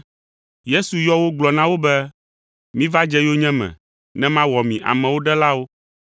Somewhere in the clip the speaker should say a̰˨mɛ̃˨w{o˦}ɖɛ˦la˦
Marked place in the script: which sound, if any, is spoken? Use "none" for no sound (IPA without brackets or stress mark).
o˦